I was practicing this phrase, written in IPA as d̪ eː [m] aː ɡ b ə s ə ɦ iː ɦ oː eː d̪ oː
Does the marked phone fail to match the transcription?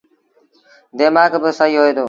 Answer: no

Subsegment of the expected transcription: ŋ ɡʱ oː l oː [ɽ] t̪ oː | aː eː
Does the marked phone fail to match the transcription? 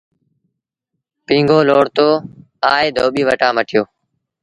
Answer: no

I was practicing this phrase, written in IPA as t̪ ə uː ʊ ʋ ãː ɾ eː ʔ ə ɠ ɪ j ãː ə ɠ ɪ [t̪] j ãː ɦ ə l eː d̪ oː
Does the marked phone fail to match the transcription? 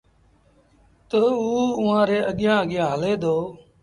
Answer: yes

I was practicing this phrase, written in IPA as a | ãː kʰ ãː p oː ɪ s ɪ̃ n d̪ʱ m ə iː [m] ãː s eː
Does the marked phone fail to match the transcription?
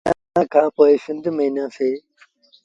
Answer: yes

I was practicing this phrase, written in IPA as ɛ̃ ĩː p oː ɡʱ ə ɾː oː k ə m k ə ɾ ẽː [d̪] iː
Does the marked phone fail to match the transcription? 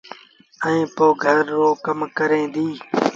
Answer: no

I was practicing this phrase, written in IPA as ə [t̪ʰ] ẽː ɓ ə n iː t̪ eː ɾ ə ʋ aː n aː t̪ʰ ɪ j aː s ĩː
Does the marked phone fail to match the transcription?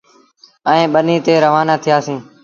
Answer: yes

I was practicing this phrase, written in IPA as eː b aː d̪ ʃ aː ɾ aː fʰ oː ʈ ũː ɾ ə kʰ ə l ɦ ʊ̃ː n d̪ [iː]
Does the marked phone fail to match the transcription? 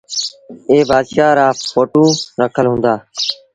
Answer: yes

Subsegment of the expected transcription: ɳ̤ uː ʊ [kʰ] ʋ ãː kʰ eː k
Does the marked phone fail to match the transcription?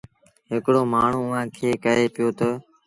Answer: yes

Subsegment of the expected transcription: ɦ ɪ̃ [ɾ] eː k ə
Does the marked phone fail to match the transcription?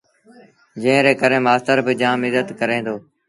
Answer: no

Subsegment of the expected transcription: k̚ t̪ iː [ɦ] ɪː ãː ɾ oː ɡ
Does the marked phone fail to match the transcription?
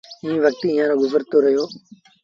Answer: yes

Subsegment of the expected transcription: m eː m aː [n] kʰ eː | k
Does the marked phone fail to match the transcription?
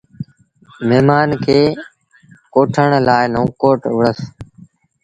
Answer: no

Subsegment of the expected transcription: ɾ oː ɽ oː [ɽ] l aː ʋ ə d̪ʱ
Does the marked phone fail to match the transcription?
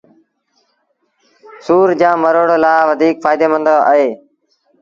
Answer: yes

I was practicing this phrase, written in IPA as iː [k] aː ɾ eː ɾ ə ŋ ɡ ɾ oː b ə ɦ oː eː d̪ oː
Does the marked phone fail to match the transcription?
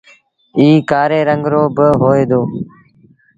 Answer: no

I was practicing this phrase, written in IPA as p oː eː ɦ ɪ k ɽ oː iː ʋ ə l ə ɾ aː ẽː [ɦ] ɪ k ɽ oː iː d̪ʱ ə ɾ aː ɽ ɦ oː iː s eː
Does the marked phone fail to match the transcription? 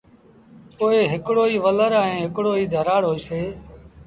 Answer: no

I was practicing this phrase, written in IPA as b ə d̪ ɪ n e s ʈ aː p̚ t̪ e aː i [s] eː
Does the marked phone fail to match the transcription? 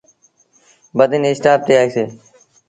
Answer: no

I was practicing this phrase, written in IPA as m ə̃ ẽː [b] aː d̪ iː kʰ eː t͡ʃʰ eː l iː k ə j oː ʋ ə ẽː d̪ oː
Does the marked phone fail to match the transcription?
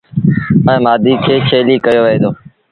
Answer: yes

